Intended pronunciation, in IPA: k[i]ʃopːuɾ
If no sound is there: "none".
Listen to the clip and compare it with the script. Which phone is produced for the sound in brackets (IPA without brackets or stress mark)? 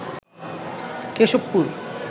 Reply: e